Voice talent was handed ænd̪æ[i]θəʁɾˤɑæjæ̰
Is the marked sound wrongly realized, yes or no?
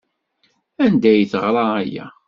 yes